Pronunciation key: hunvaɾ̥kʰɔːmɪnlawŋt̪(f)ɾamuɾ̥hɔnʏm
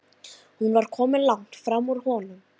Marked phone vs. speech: correct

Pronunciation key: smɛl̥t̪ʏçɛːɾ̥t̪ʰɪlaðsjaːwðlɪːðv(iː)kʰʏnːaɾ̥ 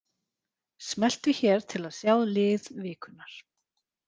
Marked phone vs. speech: incorrect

